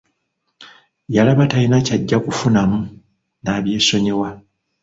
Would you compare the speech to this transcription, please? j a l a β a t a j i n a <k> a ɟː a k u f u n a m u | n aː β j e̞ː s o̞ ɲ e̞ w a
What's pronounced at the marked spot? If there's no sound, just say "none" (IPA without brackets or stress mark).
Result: c